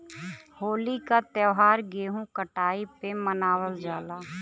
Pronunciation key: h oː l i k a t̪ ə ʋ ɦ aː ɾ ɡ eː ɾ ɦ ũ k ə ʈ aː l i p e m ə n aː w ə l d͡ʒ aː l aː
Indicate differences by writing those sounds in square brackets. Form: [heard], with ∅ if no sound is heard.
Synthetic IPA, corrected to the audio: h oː l i k a t̪ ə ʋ ɦ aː ɾ ɡ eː [∅] ɦ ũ k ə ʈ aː [∅] i p e m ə n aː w ə l d͡ʒ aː l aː